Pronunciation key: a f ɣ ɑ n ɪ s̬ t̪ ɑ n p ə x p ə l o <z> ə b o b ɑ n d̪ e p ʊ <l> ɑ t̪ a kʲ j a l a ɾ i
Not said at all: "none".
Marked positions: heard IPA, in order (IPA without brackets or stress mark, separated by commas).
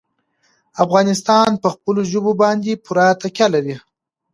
ʒ, ɾ